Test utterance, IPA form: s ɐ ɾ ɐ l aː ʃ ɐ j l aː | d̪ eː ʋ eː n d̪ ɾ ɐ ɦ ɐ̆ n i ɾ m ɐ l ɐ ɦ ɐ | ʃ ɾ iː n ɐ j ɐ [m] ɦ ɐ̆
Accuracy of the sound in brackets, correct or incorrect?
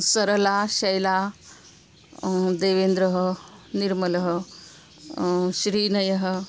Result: incorrect